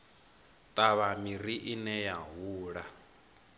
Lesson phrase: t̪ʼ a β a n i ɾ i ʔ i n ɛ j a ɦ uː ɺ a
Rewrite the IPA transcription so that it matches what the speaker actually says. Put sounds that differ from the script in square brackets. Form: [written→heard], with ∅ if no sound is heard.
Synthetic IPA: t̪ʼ a β a [n→m] i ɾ i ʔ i n ɛ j a ɦ uː ɺ a